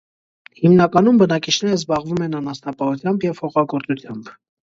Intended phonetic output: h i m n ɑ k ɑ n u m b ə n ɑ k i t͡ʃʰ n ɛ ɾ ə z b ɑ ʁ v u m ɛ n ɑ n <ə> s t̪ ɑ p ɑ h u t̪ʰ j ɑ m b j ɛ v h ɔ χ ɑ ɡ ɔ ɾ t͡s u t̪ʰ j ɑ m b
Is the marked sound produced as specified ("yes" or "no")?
no